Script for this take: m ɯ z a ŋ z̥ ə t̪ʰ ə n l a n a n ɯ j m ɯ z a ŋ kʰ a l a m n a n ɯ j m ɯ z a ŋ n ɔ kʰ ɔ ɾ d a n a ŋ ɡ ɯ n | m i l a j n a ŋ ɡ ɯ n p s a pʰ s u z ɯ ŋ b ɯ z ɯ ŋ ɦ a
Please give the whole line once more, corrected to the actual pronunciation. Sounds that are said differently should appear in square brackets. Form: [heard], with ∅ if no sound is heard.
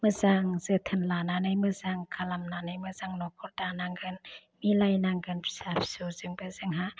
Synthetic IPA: m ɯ z a ŋ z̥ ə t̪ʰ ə n l a n a n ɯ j m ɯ z a ŋ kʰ a l a m n a n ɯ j m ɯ z a ŋ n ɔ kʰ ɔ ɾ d a n a ŋ ɡ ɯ n | m i l a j n a ŋ ɡ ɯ n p s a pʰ s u z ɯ ŋ b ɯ z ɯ ŋ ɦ a

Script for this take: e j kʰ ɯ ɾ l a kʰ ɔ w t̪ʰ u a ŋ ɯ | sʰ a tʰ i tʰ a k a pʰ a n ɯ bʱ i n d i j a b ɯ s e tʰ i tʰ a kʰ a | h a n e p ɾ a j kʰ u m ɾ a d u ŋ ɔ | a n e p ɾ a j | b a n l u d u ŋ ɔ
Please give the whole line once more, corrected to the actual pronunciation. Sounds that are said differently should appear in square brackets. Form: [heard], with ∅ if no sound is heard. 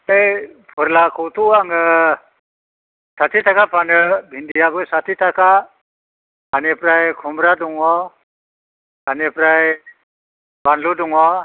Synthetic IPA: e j [pʰ] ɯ ɾ l a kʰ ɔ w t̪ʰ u a ŋ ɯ | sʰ a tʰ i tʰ a k a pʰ a n ɯ bʱ i n d i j a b ɯ s [a] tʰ i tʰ a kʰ a | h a n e p ɾ a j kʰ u m ɾ a d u ŋ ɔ | a n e p ɾ a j | b a n l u d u ŋ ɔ

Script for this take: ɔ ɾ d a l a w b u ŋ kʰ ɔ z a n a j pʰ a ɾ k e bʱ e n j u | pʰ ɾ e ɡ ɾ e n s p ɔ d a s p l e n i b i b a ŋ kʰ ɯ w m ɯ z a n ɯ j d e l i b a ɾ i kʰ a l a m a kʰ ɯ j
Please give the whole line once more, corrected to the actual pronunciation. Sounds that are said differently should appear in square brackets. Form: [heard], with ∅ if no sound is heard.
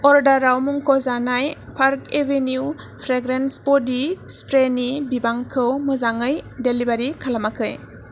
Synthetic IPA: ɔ ɾ d a [ɾ] a w [m] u ŋ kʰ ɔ z a n a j pʰ a ɾ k e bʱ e n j u | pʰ ɾ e ɡ ɾ e n s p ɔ d [i] s p [ɾ] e n i b i b a ŋ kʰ ɯ w m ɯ z a [ŋ] ɯ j d e l i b a ɾ i kʰ a l a m a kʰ ɯ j

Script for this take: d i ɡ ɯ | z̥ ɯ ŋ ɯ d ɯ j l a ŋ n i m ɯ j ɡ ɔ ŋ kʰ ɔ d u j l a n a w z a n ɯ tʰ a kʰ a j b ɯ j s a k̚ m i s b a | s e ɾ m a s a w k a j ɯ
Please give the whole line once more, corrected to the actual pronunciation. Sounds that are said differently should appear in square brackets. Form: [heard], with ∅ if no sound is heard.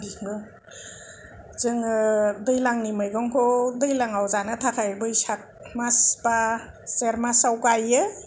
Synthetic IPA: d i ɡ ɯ | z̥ ɯ ŋ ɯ d ɯ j l a ŋ n i m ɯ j ɡ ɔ ŋ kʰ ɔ d [ɯ] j l a [ŋ] a w z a n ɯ tʰ a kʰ a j b ɯ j s a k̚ m [a] s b a | s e ɾ m a s a w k a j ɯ

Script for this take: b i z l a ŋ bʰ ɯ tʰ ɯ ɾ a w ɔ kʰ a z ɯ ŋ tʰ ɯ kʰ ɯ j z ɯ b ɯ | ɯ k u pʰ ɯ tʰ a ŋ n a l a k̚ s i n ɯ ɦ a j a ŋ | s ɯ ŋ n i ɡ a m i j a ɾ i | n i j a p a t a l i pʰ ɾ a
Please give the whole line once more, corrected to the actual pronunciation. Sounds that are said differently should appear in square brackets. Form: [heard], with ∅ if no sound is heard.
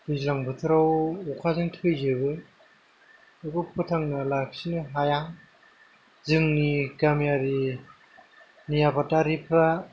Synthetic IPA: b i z l a ŋ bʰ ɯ tʰ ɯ ɾ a w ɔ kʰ a z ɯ ŋ tʰ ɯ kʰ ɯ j z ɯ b ɯ | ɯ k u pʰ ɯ tʰ a ŋ n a l a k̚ s i n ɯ ɦ a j a ŋ | [z] ɯ ŋ n i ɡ a m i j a ɾ i | n i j a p a t a [ɾ] i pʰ ɾ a

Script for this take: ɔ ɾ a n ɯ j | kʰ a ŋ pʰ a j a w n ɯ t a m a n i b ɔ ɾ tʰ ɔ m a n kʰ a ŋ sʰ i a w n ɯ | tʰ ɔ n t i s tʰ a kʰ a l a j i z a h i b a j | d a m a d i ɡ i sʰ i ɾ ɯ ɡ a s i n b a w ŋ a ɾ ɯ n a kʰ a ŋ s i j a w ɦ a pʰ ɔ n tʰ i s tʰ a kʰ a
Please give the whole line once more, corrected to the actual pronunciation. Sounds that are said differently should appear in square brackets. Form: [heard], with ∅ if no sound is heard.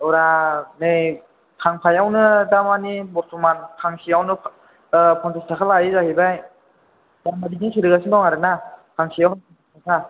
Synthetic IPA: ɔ ɾ a n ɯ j | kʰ a ŋ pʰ a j a w n ɯ [d] a m a n i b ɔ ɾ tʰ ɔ m a n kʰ a ŋ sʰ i a w n ɯ | [pʰ] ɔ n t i s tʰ a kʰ a l a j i z a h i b a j | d a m a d i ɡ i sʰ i ɾ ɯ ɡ a s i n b a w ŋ a ɾ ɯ n a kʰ a ŋ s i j a w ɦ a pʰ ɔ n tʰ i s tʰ a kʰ a

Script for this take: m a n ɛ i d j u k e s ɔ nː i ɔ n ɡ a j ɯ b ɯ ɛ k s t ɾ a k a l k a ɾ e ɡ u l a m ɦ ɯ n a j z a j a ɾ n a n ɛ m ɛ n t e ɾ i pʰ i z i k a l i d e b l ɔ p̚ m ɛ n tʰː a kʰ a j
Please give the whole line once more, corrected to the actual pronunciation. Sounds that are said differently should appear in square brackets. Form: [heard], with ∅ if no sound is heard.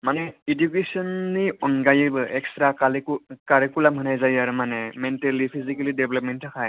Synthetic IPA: m a n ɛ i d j u k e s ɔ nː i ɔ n ɡ a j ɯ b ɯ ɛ k s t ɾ a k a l k a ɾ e [k] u l a m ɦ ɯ n a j z a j a ɾ [m] a n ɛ m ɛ n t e [l] i pʰ i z i k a l i d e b l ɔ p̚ m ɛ n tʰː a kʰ a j

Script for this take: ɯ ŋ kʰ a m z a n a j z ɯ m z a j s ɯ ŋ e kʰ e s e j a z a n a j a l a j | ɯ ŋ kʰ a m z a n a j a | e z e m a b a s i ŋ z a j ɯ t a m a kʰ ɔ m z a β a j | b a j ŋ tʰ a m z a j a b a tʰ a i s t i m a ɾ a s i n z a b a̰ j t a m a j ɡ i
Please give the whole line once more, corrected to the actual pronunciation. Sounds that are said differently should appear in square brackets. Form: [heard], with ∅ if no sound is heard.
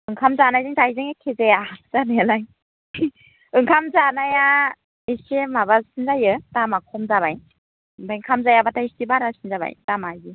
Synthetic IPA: ɯ ŋ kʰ a m z a n a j z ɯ [ŋ] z a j [z] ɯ ŋ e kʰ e [z] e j a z a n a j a l a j | ɯ ŋ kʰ a m z a n a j a | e [s] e m a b a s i [n] z a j ɯ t a m a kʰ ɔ m z a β a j | b a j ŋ [kʰ] a m z a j a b a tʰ a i s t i [b] a ɾ a s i n z a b a̰ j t a m a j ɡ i

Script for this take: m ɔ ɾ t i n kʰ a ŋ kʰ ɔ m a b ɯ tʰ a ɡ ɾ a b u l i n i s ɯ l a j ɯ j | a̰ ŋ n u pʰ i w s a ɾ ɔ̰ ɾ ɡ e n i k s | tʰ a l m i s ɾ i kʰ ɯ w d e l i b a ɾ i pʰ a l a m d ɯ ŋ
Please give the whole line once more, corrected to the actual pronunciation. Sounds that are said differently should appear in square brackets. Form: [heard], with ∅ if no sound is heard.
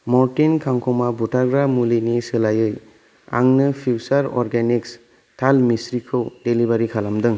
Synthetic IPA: m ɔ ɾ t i n kʰ a ŋ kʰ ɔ m a b [u] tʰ a ɡ ɾ a [m] u l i n i s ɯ l a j ɯ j | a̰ ŋ n [ɯ] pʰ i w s a ɾ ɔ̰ ɾ ɡ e n i k s | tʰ a l m i s ɾ i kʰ ɯ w d e l i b a ɾ i [kʰ] a l a m d ɯ ŋ

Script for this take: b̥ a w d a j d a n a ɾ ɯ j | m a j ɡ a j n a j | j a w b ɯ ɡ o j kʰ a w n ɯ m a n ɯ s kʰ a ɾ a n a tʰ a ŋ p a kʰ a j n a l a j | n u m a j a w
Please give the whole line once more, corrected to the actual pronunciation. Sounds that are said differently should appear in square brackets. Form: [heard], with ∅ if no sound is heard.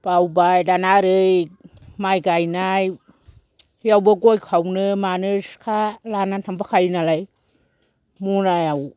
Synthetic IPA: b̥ a w [b] a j d a n a ɾ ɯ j | m a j ɡ a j n a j | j a w b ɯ ɡ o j kʰ a w n ɯ m a n ɯ s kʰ a [l] a n a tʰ a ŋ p a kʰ a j n a l a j | [m] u [n] a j a w

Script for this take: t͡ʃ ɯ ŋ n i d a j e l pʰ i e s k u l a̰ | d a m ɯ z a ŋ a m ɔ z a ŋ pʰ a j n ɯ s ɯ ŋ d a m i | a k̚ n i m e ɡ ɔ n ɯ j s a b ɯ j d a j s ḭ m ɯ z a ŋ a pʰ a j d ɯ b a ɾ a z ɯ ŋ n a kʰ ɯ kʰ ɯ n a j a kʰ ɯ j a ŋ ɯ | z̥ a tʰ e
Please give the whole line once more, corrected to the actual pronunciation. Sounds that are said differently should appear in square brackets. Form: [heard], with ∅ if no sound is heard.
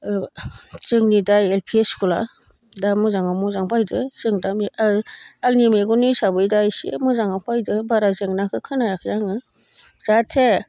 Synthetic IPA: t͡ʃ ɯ ŋ n i d a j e l pʰ i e s k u l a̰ | d a m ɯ z a ŋ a m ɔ z a ŋ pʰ a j [d] ɯ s ɯ ŋ d a m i | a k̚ n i m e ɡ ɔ n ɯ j s a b ɯ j d a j s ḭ m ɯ z a ŋ a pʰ a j d ɯ b a ɾ a z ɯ ŋ n a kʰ ɯ kʰ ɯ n a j a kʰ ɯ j a ŋ ɯ | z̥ a tʰ e

